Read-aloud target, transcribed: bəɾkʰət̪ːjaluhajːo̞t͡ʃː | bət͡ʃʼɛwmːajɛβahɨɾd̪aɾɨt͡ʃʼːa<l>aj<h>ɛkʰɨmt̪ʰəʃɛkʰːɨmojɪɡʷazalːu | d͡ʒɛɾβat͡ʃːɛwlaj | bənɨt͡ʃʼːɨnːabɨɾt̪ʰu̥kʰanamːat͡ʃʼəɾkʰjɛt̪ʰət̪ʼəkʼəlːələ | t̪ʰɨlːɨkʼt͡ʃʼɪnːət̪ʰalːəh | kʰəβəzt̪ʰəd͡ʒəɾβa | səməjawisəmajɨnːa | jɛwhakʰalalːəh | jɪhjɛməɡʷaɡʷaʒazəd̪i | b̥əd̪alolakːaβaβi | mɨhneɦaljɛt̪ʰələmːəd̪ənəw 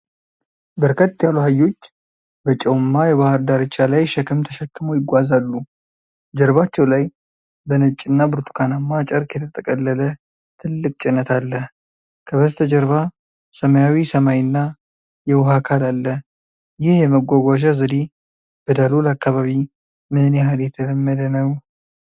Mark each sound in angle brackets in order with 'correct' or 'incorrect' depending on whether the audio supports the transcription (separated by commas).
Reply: correct, incorrect